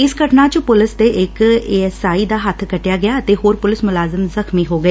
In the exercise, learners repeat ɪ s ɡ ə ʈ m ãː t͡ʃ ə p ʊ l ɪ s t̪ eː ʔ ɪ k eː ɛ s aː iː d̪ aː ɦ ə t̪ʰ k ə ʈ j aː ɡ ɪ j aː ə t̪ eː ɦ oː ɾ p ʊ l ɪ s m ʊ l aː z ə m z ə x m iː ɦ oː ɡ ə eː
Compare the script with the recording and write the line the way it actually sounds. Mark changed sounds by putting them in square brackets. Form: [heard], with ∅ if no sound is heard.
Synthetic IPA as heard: ɪ s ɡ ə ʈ [n] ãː t͡ʃ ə p ʊ l ɪ s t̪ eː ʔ ɪ k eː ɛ s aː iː d̪ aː ɦ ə t̪ʰ k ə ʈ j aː ɡ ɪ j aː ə t̪ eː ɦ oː ɾ p ʊ l ɪ s m ʊ l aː z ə m z ə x m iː ɦ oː ɡ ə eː